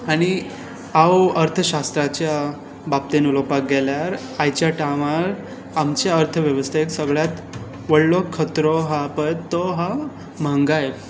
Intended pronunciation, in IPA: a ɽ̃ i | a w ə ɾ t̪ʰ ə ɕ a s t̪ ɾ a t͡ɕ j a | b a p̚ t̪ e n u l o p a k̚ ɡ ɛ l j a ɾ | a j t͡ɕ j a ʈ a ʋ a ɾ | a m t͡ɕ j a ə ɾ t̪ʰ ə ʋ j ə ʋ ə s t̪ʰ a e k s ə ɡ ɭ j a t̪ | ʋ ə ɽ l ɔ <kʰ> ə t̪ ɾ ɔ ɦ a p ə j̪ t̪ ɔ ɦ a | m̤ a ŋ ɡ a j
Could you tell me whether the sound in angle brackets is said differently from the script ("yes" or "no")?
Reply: no